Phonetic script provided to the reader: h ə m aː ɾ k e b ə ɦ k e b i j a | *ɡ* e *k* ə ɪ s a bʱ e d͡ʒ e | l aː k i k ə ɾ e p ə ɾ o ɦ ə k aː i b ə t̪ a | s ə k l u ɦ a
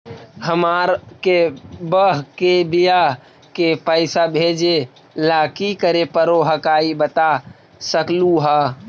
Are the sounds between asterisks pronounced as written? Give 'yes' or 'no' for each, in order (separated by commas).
no, no